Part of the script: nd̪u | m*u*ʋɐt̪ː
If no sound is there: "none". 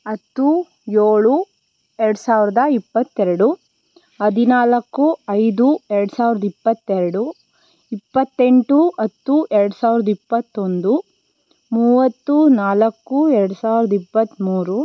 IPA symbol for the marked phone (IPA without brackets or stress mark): uː